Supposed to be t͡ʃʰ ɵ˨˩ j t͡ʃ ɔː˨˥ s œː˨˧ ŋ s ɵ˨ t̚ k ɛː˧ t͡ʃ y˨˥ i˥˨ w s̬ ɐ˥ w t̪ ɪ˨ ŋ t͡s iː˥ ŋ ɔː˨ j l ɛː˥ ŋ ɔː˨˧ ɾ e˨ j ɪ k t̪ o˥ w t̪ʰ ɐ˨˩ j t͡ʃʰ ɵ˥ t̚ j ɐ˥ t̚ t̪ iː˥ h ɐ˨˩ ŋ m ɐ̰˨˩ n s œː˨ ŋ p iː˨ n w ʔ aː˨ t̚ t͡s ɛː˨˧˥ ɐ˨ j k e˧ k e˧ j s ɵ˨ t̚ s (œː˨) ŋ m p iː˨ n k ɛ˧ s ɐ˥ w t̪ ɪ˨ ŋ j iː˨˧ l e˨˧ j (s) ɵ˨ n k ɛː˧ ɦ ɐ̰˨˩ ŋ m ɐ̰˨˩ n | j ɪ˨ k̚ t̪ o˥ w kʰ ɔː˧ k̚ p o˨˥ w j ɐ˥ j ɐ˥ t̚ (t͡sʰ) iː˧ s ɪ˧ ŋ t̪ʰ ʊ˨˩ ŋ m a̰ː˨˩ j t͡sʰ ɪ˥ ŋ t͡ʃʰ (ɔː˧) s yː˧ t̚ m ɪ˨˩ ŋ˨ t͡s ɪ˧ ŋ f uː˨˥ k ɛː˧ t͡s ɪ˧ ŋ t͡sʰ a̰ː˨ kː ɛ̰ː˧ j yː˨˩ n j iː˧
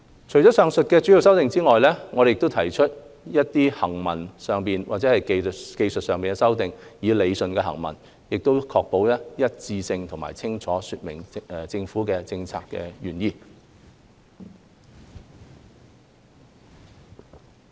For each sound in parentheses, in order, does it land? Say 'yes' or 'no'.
yes, yes, no, no

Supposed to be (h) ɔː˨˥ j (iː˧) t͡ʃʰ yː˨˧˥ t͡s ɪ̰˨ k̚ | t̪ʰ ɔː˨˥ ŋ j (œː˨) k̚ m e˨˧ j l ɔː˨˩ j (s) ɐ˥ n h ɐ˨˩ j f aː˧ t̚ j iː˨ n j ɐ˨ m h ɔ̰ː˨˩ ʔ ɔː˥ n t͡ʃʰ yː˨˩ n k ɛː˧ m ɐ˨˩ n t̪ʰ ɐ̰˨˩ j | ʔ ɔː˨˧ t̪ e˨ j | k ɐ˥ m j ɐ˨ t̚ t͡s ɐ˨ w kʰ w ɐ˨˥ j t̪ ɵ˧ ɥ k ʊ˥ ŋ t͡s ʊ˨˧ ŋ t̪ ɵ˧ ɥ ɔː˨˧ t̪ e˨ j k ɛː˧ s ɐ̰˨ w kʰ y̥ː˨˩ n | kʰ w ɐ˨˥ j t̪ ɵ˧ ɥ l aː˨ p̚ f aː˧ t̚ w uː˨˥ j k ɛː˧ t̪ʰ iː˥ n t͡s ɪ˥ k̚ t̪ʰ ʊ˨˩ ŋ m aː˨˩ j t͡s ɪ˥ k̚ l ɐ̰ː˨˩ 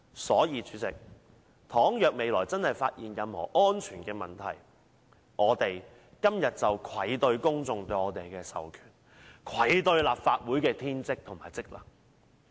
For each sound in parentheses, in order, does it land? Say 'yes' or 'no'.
no, yes, yes, no

